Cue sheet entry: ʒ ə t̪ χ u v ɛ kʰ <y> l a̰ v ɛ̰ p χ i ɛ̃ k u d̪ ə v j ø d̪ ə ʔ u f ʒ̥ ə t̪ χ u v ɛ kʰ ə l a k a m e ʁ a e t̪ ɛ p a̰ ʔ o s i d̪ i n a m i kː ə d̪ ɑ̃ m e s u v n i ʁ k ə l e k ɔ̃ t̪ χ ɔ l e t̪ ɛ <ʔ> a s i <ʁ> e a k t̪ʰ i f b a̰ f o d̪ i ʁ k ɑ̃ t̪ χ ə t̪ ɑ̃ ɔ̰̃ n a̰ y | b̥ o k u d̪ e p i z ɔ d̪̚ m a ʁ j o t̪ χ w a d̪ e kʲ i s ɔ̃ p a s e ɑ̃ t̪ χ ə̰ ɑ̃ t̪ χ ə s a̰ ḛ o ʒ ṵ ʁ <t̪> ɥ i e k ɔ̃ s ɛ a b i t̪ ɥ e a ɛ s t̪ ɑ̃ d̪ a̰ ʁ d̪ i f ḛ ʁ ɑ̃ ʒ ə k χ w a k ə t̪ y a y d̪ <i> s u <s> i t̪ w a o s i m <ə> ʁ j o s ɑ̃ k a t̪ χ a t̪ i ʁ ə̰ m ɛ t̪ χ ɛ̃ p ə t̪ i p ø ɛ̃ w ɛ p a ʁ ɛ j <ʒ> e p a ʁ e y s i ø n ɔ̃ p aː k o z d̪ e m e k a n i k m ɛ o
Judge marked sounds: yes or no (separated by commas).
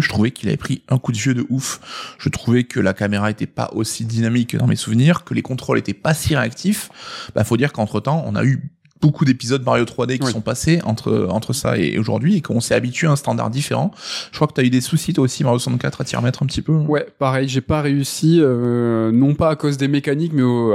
no, no, yes, no, no, yes, no, yes